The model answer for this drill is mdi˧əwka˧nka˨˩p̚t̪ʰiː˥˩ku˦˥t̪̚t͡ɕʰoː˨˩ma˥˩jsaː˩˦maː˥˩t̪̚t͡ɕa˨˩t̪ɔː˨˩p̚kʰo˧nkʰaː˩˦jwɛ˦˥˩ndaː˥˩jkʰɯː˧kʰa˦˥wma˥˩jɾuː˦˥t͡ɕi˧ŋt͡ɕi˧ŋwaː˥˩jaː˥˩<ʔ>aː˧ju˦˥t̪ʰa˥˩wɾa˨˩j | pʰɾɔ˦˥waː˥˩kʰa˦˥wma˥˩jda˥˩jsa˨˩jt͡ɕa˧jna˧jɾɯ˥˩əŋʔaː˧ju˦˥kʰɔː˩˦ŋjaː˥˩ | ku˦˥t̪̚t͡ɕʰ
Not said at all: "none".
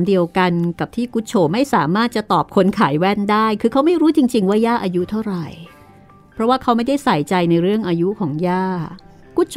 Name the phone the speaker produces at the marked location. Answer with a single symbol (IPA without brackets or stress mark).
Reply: ʔ